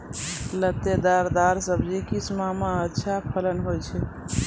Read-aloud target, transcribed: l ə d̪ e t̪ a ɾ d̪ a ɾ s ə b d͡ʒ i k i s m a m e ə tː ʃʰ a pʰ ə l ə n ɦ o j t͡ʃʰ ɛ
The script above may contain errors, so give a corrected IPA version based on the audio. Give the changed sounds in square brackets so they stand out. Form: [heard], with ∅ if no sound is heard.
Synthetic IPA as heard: l ə [t̪] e [d̪] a ɾ d̪ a ɾ s ə b d͡ʒ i k i s m a m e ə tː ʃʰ a pʰ ə l ə n ɦ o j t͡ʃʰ ɛ